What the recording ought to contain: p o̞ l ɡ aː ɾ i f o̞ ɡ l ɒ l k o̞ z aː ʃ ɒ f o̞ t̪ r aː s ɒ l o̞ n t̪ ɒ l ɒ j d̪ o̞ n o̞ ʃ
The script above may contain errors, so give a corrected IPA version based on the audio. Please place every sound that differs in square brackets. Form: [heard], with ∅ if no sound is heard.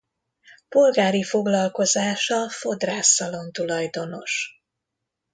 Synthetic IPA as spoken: p o̞ l ɡ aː ɾ i f o̞ ɡ l ɒ l k o̞ z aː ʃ ɒ f o̞ [d̪] r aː s ɒ l o̞ n t̪ [u] l ɒ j d̪ o̞ n o̞ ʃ

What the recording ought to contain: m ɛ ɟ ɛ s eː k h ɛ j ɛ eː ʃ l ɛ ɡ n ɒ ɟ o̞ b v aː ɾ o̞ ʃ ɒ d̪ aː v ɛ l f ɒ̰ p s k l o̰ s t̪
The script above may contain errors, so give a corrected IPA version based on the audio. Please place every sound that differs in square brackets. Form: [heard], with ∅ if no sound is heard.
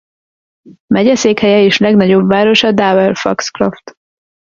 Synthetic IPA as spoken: m ɛ ɟ ɛ s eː k h ɛ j ɛ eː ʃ l ɛ ɡ n ɒ ɟ o̞ b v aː ɾ o̞ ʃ ɒ d̪ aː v ɛ l f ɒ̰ [k] s k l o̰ [f] t̪

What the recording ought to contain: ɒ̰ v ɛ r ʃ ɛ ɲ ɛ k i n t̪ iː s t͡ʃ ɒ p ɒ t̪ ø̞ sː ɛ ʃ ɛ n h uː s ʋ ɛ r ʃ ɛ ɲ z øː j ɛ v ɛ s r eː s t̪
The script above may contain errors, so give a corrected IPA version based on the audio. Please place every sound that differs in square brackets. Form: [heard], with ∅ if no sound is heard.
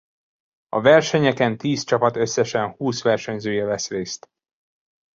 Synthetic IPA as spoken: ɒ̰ v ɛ r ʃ ɛ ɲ ɛ k [ɛ] n t̪ iː s t͡ʃ ɒ p ɒ t̪ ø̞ sː ɛ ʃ ɛ n h uː s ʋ ɛ r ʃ ɛ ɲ z øː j ɛ v ɛ s r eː s t̪

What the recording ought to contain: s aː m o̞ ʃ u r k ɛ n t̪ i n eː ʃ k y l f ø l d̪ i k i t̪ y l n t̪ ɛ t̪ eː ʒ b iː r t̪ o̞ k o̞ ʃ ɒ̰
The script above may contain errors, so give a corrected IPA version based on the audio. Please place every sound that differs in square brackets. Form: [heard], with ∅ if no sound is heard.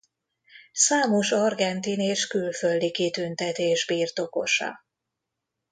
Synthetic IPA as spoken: s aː m o̞ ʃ [ɒ] r [ɡ] ɛ n t̪ i n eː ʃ k y l f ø l d̪ i k i t̪ y [∅] n t̪ ɛ t̪ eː ʒ b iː r t̪ o̞ k o̞ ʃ ɒ̰

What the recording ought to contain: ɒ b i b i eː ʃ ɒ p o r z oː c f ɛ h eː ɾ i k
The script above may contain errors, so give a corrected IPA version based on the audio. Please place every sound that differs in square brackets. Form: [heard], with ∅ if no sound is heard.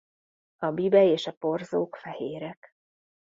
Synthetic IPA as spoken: ɒ b i b [ɛ] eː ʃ ɒ p o r z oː [k] f ɛ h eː ɾ [ɛ] k

